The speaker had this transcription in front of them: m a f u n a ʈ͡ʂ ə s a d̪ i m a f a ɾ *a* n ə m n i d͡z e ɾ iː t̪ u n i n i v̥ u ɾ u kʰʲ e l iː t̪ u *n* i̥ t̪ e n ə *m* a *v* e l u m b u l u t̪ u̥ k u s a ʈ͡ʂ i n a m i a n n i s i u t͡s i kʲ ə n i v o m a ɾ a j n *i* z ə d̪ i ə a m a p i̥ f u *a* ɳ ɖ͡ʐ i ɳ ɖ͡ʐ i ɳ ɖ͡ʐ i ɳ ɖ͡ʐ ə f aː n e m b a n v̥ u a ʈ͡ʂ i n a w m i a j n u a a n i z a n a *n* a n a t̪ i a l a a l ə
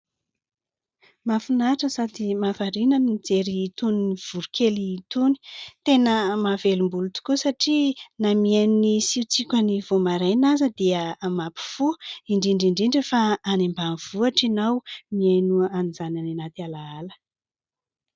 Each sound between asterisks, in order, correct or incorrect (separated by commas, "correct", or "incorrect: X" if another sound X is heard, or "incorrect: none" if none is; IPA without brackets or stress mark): incorrect: i, correct, correct, correct, incorrect: a, incorrect: i, correct